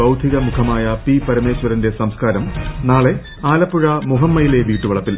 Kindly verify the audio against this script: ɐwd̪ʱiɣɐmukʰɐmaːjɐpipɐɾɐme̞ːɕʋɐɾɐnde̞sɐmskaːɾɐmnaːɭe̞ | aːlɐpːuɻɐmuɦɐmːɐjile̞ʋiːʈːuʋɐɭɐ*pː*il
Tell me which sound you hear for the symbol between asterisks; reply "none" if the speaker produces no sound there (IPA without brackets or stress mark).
pː